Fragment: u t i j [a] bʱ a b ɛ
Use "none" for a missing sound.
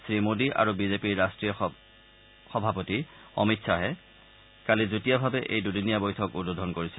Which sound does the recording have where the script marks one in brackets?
a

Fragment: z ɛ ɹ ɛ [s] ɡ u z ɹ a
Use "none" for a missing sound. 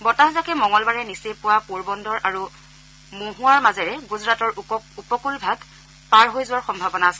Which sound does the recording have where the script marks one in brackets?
none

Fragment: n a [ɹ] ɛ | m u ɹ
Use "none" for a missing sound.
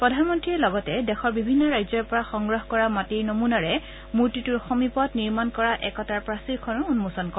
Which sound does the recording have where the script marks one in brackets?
ɹ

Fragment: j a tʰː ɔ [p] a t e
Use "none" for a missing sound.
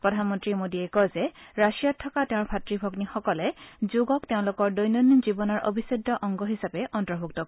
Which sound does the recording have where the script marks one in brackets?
k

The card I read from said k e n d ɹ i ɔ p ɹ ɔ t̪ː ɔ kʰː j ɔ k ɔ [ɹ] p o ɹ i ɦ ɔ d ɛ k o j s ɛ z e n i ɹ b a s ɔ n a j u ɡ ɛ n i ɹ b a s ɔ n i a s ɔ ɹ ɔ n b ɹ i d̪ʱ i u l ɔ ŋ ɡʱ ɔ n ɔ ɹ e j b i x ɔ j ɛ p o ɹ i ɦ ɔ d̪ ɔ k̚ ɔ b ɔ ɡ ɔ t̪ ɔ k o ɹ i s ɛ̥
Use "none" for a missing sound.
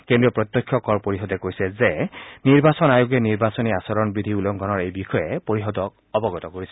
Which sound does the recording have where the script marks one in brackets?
ɹ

